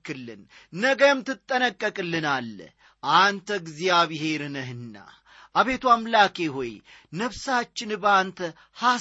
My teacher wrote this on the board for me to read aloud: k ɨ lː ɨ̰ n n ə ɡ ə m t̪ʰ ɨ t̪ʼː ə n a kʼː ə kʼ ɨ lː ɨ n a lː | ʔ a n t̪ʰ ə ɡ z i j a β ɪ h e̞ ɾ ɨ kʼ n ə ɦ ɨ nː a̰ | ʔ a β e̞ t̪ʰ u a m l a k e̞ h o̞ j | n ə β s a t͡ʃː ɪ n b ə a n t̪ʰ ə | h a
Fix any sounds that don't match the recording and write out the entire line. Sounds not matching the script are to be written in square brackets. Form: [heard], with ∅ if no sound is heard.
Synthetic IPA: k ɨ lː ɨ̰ n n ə ɡ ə m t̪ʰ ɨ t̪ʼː ə n [ə] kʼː ə kʼ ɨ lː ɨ n a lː | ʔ a n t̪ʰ ə ɡ z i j a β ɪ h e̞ ɾ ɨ [∅] n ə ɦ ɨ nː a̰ | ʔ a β e̞ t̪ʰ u a m l a k e̞ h o̞ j | n ə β s a t͡ʃː ɪ n b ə a n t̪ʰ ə | h a